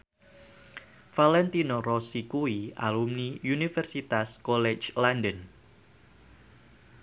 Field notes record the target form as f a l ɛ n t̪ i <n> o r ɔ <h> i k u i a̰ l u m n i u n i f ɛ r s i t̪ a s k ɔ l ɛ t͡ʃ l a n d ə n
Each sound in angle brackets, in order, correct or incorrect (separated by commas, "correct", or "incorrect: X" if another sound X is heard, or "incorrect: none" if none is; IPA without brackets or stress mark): correct, incorrect: s